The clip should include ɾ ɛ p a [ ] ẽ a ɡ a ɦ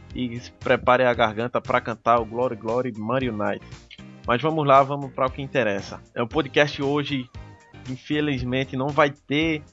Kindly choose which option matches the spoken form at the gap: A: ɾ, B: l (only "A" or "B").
A